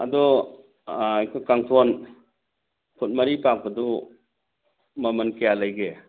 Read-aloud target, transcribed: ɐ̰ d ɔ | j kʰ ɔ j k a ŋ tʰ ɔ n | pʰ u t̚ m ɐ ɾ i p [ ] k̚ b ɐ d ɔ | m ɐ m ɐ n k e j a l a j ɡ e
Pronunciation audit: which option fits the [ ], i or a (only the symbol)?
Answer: a